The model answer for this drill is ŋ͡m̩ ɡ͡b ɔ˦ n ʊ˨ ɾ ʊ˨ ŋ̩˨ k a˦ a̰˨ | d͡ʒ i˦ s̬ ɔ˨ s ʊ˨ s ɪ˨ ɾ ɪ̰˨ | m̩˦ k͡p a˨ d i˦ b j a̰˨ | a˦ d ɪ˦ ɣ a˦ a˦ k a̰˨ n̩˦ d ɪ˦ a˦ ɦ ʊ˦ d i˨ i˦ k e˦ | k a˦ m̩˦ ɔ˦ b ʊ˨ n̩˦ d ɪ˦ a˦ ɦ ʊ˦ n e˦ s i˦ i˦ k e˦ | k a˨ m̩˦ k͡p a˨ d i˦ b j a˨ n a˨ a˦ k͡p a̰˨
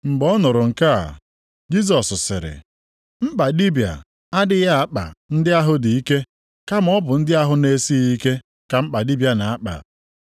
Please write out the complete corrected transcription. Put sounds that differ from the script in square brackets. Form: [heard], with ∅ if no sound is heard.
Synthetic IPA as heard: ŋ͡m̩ ɡ͡b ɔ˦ n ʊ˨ ɾ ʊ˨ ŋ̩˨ k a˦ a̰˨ | d͡ʒ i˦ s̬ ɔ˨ s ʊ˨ s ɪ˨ ɾ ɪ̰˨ | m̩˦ k͡p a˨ d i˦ b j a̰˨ | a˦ d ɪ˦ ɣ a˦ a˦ [k͡p] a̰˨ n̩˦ d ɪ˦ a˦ ɦ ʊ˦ d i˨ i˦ k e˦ | k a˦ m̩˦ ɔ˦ b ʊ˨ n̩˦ d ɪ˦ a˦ ɦ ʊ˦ n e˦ s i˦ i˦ k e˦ | k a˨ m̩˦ k͡p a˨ d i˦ b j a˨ n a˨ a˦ k͡p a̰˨